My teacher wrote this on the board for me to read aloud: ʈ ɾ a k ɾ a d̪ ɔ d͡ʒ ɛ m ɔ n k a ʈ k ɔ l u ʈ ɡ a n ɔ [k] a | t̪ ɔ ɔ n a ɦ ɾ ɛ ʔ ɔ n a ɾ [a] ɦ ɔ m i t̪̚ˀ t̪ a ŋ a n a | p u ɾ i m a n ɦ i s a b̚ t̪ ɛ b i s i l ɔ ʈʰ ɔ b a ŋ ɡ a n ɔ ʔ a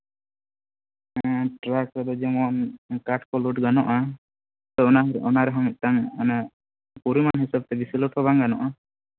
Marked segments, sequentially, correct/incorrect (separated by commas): incorrect, incorrect